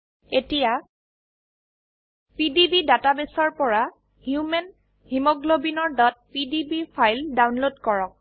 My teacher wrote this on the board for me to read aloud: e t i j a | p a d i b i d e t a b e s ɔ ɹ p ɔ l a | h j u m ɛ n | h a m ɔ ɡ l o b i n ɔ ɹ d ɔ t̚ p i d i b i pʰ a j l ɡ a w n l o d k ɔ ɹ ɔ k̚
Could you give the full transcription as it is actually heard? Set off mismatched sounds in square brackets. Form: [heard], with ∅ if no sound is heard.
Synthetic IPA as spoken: e t i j a | p [i] d i b i d [a] t a b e s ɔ ɹ p ɔ [ɹ] a | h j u m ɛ n | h [i] m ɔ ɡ l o b i n ɔ ɹ d ɔ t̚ p i d i b i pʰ a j l [d] a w n l o d k ɔ ɹ ɔ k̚